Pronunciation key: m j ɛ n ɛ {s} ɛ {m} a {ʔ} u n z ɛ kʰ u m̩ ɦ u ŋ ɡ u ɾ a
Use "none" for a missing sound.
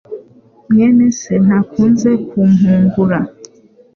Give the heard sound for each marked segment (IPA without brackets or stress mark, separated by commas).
s, n, k